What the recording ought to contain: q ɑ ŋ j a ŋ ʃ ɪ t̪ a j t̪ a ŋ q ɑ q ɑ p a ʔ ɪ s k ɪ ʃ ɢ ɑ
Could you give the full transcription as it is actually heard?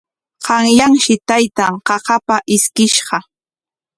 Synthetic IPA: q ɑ ŋ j a ŋ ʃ ɪ t̪ a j t̪ a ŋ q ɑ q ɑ p a ʔ ɪ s k ɪ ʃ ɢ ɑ